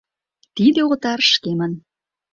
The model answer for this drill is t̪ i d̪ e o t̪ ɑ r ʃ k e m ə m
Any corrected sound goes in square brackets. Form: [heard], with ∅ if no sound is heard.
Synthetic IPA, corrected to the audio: t̪ i d̪ e o t̪ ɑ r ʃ k e m ə [n]

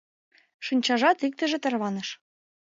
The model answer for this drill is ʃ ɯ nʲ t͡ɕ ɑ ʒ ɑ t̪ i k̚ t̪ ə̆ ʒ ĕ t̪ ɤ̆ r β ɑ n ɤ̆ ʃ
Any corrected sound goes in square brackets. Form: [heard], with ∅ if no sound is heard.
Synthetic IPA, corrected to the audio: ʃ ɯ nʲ t͡ɕ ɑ ʒ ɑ t̪ i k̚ t̪ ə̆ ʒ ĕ t̪ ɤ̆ r β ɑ n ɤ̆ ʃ

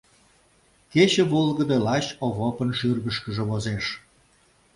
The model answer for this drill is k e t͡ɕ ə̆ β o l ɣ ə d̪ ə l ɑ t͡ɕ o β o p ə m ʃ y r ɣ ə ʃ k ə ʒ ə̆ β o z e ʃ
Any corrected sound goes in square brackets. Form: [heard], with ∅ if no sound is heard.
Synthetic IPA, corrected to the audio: k e t͡ɕ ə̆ β o l ɣ ə d̪ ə l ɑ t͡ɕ o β o p ə [n] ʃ y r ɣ ə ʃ k ə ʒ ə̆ β o z e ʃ

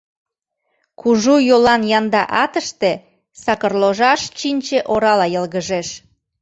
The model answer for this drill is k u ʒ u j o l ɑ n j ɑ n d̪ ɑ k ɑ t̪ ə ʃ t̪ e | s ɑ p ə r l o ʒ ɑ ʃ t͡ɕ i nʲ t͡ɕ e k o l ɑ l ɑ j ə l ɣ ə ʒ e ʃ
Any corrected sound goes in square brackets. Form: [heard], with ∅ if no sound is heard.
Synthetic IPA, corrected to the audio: k u ʒ u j o l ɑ n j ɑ n d̪ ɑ [ʔ] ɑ t̪ ə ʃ t̪ e | s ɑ [k] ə r l o ʒ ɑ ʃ t͡ɕ i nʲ t͡ɕ e [ʔ] o [ɾ] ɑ l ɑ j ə l ɣ ə ʒ e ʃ

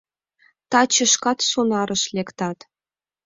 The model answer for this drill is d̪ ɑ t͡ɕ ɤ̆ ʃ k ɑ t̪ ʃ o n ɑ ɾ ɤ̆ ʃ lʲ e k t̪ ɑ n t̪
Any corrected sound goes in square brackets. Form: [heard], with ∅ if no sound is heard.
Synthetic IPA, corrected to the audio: [t̪] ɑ t͡ɕ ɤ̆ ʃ k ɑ t̪ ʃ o n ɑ ɾ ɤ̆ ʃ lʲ e k t̪ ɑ [∅] t̪

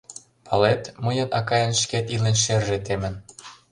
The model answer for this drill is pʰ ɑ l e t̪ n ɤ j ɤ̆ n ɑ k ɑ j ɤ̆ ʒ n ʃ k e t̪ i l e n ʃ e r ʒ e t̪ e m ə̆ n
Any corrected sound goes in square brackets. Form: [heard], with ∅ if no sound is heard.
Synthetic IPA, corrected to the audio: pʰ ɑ l e t̪ [m] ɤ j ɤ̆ n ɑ k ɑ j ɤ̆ [∅] n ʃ k e t̪ i l e n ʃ e r ʒ e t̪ e m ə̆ n

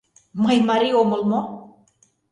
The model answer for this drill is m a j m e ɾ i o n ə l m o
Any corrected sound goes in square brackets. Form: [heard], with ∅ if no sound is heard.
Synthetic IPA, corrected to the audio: m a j m [a] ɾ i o [m] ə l m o

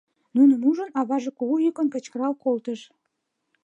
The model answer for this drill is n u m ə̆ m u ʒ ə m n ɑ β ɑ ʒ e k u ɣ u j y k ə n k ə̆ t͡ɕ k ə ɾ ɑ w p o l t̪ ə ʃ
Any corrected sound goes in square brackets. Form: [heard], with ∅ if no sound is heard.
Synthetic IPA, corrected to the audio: n u [n] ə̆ m u ʒ ə [∅] n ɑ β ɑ ʒ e k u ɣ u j y k ə n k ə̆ t͡ɕ k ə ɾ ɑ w [k] o l t̪ ə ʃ

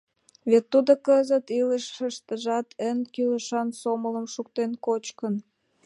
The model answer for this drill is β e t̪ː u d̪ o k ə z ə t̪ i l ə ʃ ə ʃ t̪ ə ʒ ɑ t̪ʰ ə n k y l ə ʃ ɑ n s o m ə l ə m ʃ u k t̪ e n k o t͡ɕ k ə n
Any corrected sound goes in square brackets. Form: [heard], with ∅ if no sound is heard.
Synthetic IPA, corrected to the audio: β e t̪ː u d̪ o k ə z ə t̪ i l ə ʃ ə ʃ t̪ ə ʒ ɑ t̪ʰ ə n k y l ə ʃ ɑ n s o m ə l ə m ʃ u k t̪ e n k o t͡ɕ k ə n

